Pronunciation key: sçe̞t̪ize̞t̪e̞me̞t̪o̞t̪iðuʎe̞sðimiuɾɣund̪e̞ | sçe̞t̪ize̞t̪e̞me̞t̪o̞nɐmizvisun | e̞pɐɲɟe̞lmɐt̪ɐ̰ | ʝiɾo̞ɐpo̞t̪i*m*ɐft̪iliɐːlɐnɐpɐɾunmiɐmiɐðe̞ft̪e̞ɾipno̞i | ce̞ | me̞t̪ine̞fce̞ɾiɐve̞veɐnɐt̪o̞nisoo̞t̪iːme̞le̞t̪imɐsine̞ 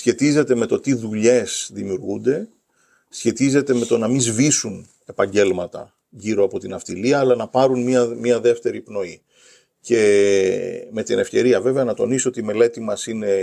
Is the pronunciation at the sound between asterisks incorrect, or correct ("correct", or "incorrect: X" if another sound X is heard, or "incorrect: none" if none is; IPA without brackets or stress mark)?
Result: incorrect: n